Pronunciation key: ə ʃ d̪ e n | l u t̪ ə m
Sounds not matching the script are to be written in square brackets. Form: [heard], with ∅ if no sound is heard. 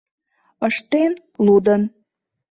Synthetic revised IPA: ə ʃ [t̪] e n | l u [d̪] ə [n]